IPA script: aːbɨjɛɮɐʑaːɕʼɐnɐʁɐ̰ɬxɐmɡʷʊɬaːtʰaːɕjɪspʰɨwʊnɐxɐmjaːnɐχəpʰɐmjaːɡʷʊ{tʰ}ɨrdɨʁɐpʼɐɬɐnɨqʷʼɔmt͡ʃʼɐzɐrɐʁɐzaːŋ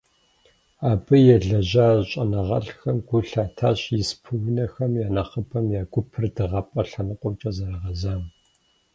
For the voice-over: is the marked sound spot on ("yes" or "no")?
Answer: no